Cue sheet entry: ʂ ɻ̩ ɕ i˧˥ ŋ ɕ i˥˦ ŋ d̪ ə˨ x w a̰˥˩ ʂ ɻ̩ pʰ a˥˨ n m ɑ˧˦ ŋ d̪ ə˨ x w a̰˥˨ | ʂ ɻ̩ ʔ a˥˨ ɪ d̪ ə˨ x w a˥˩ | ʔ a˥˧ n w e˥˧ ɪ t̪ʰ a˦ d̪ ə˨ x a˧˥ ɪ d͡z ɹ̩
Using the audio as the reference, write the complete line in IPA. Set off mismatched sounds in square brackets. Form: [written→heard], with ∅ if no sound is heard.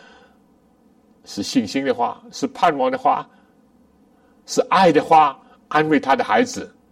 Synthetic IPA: ʂ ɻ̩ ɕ [i˧˥→i˥˨] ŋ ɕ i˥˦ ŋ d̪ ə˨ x w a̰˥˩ ʂ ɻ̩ pʰ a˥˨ n m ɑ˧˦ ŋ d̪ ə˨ x w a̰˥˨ | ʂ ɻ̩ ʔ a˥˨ ɪ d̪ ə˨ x w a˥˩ | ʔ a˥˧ n w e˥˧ ɪ t̪ʰ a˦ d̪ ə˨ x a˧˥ ɪ d͡z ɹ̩